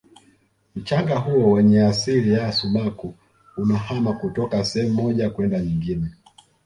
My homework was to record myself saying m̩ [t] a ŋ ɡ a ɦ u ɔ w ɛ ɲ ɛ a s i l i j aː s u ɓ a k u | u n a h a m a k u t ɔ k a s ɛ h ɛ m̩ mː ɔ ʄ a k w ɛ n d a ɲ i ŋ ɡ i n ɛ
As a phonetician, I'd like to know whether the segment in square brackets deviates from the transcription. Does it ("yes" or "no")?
yes